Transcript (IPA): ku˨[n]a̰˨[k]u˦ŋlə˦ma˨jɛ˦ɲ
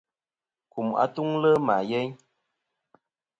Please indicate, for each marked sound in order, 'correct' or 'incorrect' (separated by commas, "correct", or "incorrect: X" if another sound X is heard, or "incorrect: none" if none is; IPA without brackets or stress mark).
incorrect: m, incorrect: t